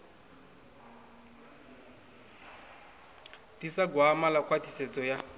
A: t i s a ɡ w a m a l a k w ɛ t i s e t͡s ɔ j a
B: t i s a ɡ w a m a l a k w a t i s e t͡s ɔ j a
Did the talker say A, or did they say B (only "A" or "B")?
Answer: B